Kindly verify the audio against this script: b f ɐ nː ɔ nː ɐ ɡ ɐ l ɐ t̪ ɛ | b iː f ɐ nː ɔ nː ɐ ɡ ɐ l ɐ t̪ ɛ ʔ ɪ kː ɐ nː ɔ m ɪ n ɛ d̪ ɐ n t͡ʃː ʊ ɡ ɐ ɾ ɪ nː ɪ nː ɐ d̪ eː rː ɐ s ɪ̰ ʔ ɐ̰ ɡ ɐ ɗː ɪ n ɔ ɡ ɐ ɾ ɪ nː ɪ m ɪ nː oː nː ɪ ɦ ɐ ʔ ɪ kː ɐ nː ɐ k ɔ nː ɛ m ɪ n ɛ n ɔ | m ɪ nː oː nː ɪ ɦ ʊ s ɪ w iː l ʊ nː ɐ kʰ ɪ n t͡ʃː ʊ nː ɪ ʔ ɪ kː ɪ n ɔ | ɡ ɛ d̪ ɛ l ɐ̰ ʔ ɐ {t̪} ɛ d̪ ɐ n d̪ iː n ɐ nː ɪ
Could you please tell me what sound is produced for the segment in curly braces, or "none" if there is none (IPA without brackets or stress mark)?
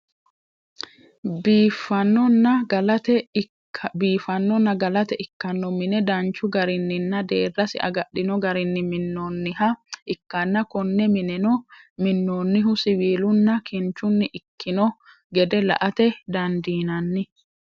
t̪